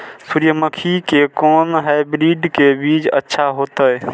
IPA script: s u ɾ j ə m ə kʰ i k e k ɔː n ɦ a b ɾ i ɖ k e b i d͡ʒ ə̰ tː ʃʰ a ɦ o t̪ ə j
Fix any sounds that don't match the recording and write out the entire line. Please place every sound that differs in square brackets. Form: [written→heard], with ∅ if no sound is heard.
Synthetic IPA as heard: s u ɾ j ə m ə kʰ i k e k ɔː n ɦ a b ɾ i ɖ k e b i d͡ʒ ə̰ tː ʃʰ a ɦ o t̪ ə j